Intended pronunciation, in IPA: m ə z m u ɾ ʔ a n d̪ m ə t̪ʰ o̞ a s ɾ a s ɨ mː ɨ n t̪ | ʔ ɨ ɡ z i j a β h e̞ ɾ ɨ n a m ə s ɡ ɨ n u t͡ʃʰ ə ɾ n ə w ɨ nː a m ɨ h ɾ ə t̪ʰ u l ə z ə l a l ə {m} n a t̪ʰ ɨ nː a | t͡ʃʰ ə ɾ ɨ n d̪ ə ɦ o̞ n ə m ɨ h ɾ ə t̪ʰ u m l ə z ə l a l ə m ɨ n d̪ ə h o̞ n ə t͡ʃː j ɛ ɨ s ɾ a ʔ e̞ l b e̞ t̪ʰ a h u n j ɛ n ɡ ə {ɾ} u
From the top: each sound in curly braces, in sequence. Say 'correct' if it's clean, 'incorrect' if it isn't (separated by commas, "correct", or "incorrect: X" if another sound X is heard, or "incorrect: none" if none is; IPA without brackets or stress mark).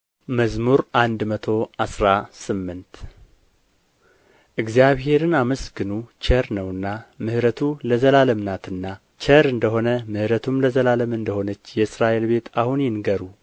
correct, correct